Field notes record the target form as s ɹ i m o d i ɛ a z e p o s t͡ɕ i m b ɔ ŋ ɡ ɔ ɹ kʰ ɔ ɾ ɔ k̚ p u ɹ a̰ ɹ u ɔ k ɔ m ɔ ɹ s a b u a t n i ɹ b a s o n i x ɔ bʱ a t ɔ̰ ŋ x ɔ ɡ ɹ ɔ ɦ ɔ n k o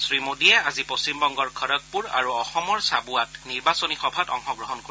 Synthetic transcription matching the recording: s ɹ i m o d i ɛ a z i p o s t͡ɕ i m b ɔ ŋ ɡ ɔ ɹ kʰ ɔ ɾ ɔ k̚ p u ɹ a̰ ɹ u ɔ x ɔ m ɔ ɹ s a b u a t n i ɹ b a s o n i x ɔ bʱ a t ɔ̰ ŋ x ɔ ɡ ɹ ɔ ɦ ɔ n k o

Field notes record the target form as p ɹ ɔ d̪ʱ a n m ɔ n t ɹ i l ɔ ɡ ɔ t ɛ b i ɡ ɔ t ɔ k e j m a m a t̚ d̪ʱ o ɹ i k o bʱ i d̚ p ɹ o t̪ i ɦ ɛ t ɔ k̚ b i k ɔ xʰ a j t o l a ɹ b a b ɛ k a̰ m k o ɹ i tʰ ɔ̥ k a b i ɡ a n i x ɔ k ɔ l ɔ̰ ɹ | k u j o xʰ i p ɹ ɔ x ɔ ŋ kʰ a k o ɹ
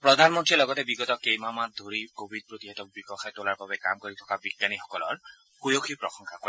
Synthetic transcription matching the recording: p ɹ ɔ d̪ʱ a n m ɔ n t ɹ i l ɔ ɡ ɔ t ɛ b i ɡ ɔ t ɔ k e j m a m a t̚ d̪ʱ o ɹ i k o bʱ i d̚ p ɹ o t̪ i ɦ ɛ t ɔ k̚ b i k ɔ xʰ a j t o l a ɹ b a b ɛ k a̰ m k o ɹ i tʰ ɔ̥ k a b i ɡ a n i x ɔ k ɔ l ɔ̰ ɹ | k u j o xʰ i p ɹ ɔ x ɔ ŋ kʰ a k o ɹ

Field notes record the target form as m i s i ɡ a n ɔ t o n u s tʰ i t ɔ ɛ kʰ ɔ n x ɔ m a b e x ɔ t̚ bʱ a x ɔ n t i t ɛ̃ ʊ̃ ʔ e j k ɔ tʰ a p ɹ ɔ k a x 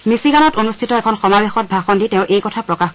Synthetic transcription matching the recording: m i s i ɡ a n ɔ t o n u s tʰ i t ɔ ɛ kʰ ɔ n x ɔ m a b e x ɔ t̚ bʱ a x ɔ n d i t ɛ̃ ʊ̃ ʔ e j k ɔ tʰ a p ɹ ɔ k a x

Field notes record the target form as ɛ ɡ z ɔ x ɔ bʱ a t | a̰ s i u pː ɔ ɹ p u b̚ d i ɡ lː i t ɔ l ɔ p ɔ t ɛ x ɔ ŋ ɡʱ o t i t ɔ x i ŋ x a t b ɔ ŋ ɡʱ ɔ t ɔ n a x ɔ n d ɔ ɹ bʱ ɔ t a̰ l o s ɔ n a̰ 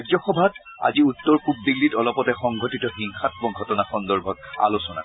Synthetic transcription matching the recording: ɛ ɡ z ɔ x ɔ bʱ a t | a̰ z i u tː ɔ ɹ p u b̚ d i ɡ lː i t ɔ l ɔ p ɔ t ɛ x ɔ ŋ ɡʱ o t i t ɔ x i ŋ x a t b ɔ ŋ ɡʱ ɔ t ɔ n a x ɔ n d ɔ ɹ bʱ ɔ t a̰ l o s ɔ n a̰

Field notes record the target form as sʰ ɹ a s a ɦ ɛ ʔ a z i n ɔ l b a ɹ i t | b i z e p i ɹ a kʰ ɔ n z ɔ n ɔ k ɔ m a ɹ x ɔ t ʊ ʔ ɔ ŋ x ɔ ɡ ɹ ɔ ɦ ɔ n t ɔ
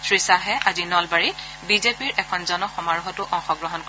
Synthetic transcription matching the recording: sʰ ɹ i s a ɦ ɛ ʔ a z i n ɔ l b a ɹ i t | b i z e p i ɹ ɛ kʰ ɔ n z ɔ n ɔ x ɔ m a ɹ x ɔ t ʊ ʔ ɔ ŋ x ɔ ɡ ɹ ɔ ɦ ɔ n k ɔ

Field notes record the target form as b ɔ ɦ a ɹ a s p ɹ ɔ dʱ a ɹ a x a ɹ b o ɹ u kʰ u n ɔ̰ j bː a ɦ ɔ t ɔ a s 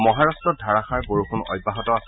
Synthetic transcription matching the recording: m ɔ ɦ a ɹ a s t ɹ ɔ dʱ a ɹ a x a ɹ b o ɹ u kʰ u n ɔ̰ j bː a ɦ ɔ t ɔ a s

